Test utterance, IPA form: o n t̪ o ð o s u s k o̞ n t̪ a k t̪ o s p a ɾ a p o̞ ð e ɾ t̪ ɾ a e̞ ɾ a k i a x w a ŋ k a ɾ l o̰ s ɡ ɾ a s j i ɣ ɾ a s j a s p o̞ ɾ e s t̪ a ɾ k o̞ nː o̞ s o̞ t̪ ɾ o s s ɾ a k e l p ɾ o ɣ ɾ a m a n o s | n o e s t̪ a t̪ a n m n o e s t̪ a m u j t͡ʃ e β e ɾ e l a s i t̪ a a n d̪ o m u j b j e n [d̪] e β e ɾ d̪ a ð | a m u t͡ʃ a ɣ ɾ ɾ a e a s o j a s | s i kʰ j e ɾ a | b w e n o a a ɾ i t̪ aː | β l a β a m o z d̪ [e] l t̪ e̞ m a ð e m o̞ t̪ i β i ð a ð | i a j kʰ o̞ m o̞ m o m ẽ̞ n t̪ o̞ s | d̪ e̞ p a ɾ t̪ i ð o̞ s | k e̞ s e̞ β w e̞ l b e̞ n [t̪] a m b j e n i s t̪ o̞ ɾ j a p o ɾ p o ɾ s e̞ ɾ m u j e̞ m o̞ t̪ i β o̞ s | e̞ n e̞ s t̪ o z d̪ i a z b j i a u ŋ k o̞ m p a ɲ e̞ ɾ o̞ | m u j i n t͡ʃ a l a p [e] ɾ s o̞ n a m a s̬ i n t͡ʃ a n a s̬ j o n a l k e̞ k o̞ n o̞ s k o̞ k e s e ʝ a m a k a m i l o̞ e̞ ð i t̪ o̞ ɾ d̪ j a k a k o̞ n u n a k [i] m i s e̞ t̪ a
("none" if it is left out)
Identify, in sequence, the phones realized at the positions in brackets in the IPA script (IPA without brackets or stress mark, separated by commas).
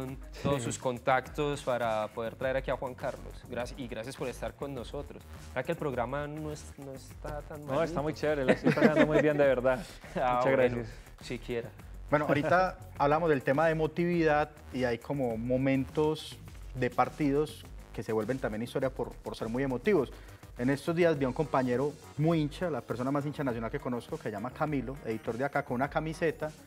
d̪, e, t̪, e, a